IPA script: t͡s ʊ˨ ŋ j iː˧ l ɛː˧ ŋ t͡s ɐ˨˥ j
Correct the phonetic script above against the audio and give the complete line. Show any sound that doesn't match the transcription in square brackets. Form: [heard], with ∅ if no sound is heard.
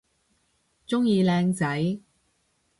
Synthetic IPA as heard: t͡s [ʊ˥] ŋ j iː˧ l ɛː˧ ŋ t͡s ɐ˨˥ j